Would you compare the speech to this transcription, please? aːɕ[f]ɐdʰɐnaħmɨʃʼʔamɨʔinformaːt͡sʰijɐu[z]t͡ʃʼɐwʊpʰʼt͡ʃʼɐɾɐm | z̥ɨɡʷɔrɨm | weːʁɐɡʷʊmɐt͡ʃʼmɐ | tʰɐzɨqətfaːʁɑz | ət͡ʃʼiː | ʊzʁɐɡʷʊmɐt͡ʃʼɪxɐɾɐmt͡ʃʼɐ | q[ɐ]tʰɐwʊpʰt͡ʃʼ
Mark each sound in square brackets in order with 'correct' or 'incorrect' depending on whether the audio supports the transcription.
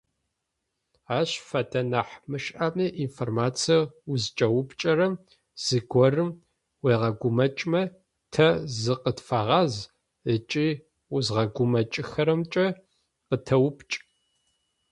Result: correct, correct, incorrect: ə

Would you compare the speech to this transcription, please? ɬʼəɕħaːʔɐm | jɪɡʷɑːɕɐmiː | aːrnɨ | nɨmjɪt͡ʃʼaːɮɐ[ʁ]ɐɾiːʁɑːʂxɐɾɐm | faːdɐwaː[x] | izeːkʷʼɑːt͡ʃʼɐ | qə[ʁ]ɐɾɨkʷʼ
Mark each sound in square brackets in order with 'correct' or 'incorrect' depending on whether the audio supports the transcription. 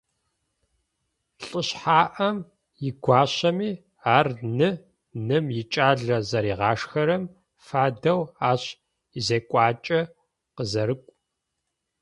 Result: incorrect: z, incorrect: ɕ, incorrect: z

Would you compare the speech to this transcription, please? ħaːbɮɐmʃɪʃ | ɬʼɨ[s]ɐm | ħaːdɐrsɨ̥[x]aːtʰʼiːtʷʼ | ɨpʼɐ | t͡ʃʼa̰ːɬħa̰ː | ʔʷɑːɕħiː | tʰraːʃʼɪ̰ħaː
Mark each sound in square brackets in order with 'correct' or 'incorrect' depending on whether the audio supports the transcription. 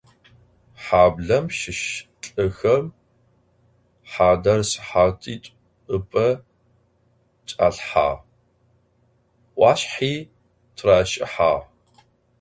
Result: incorrect: x, incorrect: ħ

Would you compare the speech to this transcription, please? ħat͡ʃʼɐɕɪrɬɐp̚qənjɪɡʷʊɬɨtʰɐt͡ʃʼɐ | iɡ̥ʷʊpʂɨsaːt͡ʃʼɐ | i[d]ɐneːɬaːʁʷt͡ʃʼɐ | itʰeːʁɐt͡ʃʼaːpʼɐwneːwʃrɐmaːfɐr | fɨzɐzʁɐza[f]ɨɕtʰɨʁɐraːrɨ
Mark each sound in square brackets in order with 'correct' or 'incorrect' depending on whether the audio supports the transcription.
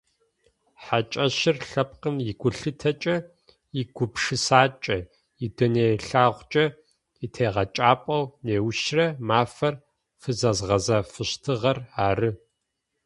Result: correct, correct

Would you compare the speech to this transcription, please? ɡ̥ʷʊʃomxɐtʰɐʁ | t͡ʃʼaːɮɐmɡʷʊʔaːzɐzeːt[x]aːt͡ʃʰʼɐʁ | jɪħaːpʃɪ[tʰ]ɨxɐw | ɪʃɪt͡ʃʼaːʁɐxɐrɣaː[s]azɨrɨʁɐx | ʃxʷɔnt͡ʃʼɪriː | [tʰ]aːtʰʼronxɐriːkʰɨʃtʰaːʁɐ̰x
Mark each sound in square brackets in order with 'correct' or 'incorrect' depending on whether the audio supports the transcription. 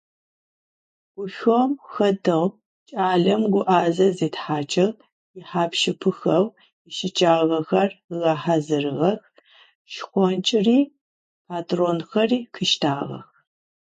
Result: incorrect: ħ, incorrect: pʰ, incorrect: ħ, incorrect: pʰ

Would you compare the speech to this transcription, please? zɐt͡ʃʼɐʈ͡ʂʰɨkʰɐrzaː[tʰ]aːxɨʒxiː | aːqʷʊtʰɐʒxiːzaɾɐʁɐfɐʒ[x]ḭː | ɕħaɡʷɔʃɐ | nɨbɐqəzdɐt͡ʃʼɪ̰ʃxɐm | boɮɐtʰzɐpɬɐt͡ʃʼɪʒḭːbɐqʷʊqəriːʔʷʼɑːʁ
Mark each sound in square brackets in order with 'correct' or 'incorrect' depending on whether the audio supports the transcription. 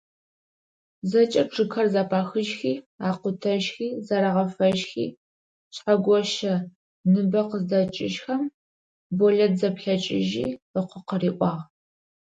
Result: incorrect: pʰ, correct

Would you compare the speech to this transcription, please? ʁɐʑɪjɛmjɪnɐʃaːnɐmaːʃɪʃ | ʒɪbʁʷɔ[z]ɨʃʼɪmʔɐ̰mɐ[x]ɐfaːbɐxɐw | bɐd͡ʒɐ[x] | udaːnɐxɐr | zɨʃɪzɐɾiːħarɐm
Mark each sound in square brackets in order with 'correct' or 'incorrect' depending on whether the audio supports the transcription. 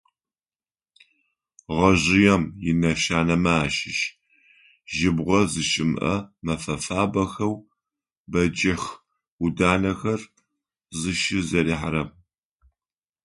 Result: correct, incorrect: f, correct

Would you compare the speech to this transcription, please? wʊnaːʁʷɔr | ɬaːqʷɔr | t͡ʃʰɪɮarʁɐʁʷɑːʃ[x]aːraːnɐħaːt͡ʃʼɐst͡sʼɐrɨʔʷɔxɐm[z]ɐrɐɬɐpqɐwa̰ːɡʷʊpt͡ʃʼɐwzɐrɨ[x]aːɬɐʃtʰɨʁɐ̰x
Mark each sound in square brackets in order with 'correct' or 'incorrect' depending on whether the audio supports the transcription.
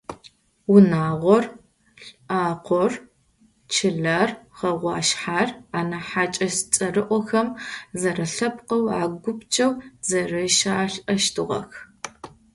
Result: incorrect: ħ, correct, incorrect: ʃ

